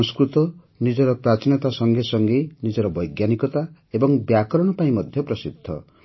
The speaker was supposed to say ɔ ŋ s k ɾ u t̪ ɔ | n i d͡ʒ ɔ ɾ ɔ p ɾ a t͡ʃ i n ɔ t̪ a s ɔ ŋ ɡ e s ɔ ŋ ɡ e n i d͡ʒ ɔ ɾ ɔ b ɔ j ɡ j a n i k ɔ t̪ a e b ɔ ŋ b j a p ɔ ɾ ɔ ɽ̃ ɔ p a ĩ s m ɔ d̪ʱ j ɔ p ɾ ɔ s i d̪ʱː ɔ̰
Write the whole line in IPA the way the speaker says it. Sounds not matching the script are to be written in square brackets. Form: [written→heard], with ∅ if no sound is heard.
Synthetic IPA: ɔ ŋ s k ɾ u t̪ ɔ | n i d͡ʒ ɔ ɾ ɔ p ɾ a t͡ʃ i n ɔ t̪ a s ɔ ŋ ɡ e s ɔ ŋ ɡ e n i d͡ʒ ɔ ɾ ɔ b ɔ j ɡ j a n i k ɔ t̪ a e b ɔ ŋ b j a [p→k] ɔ ɾ ɔ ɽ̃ ɔ p a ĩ [s→∅] m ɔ d̪ʱ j ɔ p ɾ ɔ s i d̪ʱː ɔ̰